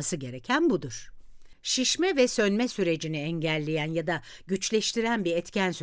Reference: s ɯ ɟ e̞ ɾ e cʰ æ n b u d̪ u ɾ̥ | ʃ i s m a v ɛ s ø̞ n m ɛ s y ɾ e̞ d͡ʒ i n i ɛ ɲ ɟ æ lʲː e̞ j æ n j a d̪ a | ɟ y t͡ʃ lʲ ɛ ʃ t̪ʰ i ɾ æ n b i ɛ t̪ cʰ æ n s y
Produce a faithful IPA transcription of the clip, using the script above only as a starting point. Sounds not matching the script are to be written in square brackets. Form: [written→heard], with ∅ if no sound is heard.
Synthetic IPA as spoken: s ɯ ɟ e̞ ɾ e cʰ æ n b u d̪ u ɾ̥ | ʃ i [s→ʃ] m [a→ɛ] v ɛ s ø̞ n m ɛ s y ɾ e̞ d͡ʒ i n i ɛ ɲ ɟ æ lʲː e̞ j æ n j a d̪ a | ɟ y t͡ʃ lʲ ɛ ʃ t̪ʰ i ɾ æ n b i ɛ t̪ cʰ æ n s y